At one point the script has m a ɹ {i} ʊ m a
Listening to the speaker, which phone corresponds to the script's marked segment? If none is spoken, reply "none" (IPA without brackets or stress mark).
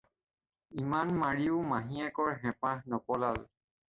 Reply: i